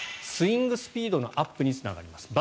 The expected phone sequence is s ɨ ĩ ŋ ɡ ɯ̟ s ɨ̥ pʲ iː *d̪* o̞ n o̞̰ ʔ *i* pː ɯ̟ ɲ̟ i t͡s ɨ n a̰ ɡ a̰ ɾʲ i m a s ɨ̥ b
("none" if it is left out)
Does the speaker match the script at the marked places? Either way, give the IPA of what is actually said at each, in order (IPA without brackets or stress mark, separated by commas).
d̪, a